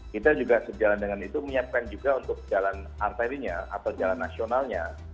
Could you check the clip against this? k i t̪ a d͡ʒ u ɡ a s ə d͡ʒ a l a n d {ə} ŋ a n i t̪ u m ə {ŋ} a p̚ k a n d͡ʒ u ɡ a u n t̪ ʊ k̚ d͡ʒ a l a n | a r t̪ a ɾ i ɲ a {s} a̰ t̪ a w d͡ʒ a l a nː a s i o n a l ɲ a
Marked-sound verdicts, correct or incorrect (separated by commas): correct, incorrect, incorrect